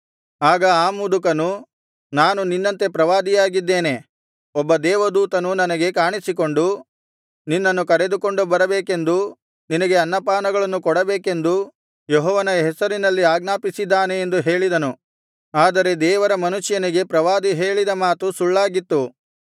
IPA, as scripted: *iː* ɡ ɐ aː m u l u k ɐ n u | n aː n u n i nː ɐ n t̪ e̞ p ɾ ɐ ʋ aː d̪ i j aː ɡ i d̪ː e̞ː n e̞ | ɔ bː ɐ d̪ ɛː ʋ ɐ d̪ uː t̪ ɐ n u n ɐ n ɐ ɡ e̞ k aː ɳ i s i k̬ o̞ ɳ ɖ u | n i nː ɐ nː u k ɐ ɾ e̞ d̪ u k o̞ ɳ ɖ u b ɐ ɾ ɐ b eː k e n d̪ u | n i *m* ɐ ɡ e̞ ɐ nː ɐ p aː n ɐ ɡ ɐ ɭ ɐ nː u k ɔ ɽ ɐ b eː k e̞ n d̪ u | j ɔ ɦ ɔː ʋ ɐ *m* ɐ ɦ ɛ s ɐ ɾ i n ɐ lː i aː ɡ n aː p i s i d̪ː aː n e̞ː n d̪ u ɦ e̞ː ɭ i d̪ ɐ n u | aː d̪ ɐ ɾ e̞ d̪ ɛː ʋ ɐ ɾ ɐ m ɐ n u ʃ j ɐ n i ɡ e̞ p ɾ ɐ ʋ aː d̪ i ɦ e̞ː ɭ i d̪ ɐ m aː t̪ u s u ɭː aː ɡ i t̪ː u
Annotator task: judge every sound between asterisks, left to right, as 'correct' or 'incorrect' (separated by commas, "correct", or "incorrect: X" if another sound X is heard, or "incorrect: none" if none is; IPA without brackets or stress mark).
incorrect: aː, incorrect: n, incorrect: n